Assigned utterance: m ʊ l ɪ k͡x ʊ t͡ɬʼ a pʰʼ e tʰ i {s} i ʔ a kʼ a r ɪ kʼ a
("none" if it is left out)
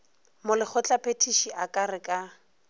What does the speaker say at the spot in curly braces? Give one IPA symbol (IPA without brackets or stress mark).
ʃ